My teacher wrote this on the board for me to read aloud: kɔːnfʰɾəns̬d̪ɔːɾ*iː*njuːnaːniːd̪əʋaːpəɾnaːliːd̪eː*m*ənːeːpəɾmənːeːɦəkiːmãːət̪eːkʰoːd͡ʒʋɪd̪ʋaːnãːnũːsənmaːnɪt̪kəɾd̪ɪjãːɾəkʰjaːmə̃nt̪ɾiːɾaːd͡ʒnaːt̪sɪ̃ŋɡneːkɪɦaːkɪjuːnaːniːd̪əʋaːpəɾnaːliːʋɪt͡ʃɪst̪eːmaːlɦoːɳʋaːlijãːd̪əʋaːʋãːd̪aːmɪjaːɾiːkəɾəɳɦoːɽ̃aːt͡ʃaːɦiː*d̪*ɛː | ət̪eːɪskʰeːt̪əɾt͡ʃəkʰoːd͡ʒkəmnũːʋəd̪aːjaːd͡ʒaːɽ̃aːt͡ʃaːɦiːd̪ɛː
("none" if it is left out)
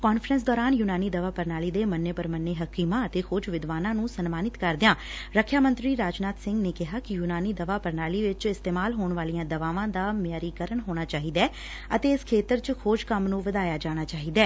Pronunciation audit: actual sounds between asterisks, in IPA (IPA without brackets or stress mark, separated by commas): aː, m, d̪